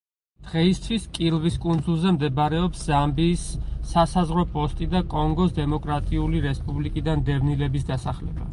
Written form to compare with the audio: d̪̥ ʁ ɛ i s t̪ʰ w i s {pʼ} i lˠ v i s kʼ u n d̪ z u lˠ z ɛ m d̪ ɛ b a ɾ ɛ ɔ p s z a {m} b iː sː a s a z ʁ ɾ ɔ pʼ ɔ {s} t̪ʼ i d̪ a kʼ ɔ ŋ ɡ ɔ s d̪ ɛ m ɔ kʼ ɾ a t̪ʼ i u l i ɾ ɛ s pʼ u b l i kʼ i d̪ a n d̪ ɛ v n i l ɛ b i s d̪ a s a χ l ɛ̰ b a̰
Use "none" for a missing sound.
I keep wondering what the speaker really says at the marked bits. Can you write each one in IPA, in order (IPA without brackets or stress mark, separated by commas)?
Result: kʼ, m, s